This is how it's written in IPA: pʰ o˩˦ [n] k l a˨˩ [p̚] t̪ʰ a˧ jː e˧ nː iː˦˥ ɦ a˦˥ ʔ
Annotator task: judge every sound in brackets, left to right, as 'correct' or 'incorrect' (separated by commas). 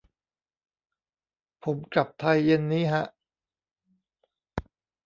incorrect, correct